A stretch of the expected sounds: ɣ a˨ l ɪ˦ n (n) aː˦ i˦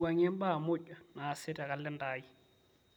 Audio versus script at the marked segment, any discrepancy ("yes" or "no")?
yes